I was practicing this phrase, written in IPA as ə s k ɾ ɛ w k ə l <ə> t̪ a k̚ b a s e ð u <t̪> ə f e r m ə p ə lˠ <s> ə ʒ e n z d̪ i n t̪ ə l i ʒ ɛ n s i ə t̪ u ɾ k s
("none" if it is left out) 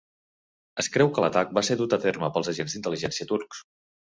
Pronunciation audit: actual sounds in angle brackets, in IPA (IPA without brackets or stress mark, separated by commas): ə, t̪, z